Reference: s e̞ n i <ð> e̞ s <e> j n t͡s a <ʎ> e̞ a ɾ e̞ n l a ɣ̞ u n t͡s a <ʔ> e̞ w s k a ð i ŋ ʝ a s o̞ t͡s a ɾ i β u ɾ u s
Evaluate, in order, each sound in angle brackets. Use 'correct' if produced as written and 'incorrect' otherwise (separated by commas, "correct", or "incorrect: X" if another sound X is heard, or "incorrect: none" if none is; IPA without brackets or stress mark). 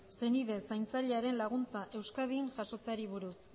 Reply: correct, incorrect: a, correct, correct